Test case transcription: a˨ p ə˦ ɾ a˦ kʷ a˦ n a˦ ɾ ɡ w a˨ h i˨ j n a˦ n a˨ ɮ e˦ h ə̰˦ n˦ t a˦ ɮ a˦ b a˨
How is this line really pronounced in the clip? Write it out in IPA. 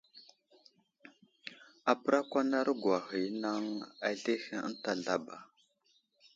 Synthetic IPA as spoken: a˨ p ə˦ ɾ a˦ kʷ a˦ n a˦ ɾ ɡ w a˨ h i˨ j n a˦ ŋ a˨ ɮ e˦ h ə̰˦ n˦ t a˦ ɮ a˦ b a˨